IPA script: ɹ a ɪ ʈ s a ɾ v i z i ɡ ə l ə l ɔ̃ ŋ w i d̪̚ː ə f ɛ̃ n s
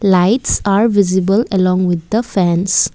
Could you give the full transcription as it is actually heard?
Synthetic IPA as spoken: l a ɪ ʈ s a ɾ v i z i b ə l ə l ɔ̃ ŋ w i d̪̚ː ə f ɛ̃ n s